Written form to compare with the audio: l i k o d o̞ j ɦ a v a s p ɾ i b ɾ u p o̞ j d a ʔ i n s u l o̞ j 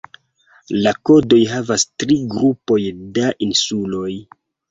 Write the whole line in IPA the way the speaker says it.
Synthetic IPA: l a k o d o̞ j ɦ a v a s t ɾ i ɡ ɾ u p o̞ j d a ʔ i n s u l o̞ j